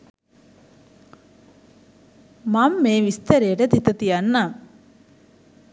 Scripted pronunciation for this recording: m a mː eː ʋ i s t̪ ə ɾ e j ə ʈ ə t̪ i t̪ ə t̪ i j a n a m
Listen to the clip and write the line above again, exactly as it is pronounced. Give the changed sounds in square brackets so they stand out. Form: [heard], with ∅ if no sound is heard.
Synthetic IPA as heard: m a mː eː ʋ i s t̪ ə ɾ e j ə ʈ ə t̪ i t̪ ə t̪ i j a [nː] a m